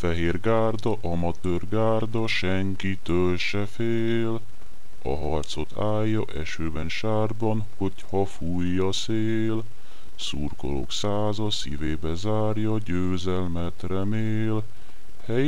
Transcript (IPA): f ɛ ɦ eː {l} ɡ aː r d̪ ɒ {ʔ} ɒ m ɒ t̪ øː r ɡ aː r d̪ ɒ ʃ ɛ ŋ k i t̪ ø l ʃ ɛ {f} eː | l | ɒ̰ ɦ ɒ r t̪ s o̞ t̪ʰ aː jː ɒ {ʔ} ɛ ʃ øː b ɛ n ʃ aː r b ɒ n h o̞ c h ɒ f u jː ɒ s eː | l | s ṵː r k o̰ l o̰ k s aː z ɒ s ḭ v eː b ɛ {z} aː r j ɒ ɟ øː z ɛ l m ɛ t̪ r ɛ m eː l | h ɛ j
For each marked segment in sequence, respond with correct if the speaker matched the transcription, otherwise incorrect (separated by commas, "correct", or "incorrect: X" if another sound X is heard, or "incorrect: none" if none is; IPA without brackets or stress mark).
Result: incorrect: r, correct, correct, correct, correct